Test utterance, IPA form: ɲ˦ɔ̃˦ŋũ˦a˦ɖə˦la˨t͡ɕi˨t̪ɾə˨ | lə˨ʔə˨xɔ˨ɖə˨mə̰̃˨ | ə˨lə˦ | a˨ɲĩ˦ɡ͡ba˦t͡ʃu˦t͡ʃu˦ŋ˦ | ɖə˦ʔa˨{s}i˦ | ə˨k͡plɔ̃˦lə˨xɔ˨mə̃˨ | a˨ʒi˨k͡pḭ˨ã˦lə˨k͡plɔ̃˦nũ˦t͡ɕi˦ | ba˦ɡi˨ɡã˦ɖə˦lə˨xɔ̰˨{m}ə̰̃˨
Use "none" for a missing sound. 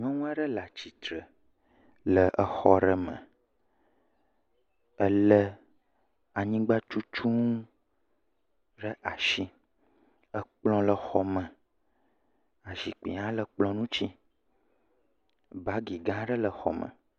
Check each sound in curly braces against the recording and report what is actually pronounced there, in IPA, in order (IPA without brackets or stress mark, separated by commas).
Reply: ʃ, m